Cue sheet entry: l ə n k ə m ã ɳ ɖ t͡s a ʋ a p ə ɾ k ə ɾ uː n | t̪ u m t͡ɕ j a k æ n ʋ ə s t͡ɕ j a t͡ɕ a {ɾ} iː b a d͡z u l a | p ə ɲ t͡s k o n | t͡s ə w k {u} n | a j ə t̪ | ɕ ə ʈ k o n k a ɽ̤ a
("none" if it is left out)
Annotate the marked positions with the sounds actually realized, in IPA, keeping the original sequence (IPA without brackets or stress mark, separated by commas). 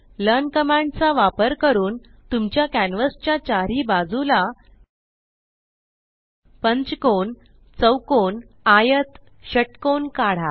ɾ, o